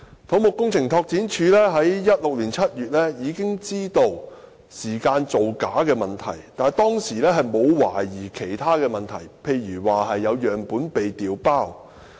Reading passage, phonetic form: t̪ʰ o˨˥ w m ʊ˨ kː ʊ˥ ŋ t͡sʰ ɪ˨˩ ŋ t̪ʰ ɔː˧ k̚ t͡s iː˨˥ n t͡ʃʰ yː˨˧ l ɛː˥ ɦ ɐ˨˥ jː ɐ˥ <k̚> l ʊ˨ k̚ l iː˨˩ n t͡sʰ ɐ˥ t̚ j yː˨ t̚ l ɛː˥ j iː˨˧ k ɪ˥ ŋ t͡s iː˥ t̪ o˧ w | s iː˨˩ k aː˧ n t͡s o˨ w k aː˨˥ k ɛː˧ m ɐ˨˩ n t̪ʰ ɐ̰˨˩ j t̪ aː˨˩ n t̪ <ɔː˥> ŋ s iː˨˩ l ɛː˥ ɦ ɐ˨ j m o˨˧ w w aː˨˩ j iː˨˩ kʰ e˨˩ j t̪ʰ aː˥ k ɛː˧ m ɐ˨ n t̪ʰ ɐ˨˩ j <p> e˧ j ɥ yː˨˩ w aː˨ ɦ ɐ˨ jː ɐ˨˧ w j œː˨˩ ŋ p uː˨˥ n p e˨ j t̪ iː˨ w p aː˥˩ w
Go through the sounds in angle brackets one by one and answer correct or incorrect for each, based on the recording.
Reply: incorrect, correct, incorrect

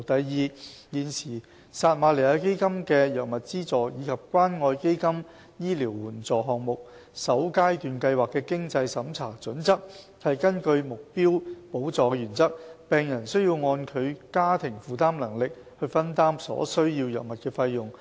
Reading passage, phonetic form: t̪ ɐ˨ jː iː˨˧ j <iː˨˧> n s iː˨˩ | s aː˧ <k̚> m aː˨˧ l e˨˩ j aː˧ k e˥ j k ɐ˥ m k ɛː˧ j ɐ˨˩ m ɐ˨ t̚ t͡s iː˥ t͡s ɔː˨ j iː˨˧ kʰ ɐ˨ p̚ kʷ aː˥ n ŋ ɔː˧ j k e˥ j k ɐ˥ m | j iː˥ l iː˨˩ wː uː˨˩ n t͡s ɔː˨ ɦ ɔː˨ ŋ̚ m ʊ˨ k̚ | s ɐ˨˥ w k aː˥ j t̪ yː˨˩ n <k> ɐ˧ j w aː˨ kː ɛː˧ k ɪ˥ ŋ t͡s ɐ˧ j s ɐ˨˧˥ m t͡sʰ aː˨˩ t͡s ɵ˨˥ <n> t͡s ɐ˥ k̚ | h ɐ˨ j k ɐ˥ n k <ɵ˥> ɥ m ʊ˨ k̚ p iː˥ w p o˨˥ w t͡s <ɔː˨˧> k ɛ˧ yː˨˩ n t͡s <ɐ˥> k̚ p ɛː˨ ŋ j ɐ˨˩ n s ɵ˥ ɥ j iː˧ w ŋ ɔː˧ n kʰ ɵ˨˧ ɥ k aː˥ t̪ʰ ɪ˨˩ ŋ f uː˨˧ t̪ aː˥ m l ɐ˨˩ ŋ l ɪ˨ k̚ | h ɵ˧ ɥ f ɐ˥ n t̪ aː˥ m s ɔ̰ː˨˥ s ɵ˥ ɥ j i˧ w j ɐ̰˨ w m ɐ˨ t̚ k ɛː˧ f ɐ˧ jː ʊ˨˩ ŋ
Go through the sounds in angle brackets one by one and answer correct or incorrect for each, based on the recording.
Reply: correct, incorrect, correct, correct, incorrect, correct, correct

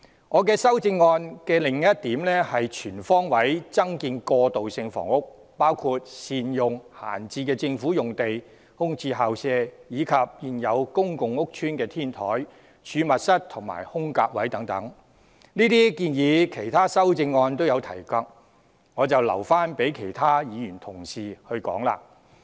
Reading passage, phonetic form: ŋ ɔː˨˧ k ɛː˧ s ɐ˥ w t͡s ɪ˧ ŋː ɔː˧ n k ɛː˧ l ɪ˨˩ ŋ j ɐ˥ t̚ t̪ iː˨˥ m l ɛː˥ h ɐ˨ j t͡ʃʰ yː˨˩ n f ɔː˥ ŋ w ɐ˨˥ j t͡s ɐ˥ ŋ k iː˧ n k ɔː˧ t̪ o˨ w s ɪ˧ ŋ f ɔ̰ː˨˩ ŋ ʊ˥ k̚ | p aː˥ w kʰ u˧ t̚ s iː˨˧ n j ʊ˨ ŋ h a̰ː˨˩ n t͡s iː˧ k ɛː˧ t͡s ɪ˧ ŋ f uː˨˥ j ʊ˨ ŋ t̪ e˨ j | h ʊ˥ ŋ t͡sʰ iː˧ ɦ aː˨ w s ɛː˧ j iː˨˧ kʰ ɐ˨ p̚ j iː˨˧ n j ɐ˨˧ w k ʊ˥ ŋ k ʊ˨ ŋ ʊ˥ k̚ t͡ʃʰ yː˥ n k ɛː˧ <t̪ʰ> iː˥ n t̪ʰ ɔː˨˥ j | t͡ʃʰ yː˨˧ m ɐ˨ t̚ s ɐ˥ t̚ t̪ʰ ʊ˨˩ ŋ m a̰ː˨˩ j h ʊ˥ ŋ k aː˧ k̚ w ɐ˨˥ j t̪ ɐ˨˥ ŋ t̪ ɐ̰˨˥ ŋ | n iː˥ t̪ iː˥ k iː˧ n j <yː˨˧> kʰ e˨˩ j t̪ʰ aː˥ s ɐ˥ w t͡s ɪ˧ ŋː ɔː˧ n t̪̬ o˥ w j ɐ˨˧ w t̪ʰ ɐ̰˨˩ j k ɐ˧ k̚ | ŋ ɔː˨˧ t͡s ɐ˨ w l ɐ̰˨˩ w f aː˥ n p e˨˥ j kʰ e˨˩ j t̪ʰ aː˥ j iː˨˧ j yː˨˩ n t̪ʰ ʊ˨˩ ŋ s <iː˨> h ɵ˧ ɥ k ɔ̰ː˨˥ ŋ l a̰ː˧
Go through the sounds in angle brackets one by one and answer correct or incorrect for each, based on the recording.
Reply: correct, incorrect, correct

